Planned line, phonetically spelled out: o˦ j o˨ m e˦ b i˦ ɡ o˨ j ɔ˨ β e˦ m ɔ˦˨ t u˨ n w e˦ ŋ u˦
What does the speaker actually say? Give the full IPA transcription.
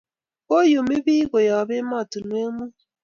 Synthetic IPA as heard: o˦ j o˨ m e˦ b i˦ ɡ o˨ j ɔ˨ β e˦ m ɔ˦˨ t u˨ n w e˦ m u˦